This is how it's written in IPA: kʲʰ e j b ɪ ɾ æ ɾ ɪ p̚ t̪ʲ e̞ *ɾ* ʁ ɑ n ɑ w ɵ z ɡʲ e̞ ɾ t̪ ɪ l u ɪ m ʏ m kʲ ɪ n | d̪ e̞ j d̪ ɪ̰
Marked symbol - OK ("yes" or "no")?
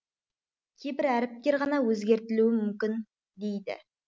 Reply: yes